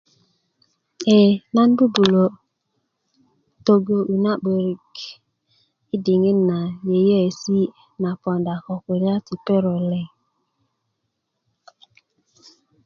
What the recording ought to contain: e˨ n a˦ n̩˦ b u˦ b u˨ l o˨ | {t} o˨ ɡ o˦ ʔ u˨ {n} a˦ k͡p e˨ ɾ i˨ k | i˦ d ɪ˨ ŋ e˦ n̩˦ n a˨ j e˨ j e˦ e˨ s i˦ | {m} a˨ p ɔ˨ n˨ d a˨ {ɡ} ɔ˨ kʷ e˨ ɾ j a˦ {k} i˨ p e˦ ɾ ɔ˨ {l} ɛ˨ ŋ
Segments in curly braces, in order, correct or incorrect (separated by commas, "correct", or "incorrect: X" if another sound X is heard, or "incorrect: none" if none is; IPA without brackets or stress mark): correct, correct, incorrect: n, incorrect: k, incorrect: t, correct